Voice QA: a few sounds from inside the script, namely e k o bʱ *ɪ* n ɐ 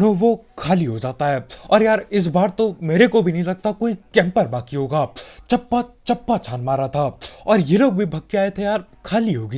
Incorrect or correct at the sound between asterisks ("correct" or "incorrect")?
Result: incorrect